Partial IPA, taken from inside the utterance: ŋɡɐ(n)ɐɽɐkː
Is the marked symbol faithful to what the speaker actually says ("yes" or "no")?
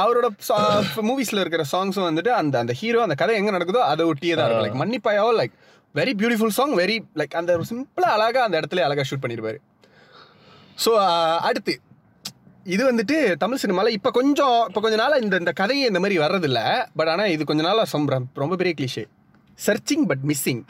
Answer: yes